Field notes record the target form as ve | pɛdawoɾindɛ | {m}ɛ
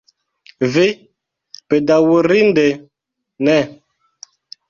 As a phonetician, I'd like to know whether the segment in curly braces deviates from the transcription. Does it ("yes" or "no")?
yes